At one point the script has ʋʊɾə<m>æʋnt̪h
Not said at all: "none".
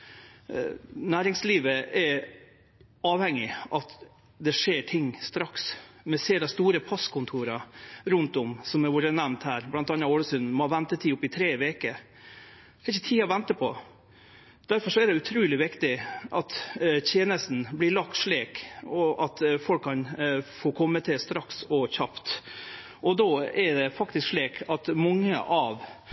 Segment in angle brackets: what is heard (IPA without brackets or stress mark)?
n